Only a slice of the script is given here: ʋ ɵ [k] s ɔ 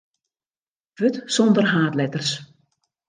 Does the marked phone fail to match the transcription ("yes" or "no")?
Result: yes